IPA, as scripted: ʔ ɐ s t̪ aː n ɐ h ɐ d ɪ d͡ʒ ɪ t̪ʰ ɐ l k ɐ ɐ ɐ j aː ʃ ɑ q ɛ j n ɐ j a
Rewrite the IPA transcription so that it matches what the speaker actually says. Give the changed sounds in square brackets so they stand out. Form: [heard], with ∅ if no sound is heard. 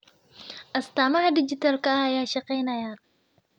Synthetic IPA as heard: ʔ ɐ s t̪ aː [m] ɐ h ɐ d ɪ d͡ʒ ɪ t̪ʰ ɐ l k ɐ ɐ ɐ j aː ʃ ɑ q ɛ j n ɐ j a